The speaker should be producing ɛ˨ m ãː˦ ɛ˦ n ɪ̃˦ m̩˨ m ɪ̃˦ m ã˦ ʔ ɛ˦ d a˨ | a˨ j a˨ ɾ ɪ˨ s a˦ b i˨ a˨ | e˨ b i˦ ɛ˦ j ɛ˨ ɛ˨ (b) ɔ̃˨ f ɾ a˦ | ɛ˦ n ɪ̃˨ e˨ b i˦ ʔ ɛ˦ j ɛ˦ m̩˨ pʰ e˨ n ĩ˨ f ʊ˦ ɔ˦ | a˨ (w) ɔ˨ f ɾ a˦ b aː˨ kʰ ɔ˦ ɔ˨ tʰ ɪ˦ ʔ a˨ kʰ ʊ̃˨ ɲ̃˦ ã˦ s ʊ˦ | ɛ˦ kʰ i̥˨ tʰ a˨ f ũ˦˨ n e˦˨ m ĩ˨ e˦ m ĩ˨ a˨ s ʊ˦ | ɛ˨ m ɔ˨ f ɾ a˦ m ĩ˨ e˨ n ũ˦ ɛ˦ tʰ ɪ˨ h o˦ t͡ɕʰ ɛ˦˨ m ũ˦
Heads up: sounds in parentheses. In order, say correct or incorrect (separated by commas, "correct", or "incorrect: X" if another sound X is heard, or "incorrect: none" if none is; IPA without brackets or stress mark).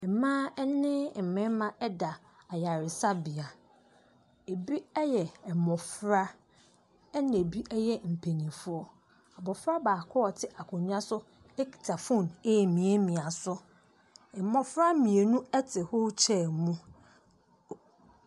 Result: incorrect: m, incorrect: b